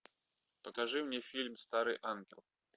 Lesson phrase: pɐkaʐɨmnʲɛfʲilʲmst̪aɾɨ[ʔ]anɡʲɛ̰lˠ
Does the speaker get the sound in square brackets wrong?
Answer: no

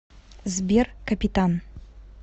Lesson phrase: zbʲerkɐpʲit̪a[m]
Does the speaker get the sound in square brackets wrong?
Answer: yes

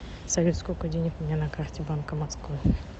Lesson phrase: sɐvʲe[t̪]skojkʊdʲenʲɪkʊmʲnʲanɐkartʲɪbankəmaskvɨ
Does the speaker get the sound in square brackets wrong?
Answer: no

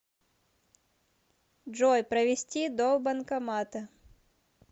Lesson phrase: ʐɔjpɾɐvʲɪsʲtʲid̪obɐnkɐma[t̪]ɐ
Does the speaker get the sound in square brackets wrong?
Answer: no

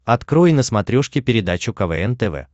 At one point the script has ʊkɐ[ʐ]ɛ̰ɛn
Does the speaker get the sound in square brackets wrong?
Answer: yes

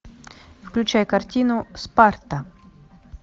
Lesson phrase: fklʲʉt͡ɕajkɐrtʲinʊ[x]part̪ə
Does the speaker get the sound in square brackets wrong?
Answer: yes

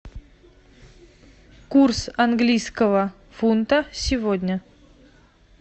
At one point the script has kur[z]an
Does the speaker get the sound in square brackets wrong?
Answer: yes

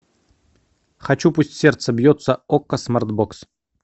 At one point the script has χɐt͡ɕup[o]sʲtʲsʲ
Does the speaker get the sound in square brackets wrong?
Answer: yes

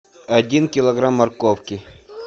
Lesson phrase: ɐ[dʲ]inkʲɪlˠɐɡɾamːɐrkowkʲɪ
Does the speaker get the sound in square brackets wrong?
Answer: no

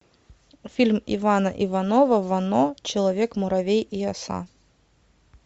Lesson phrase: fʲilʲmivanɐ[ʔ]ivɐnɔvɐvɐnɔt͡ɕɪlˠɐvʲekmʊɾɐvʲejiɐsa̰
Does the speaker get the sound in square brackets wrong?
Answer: no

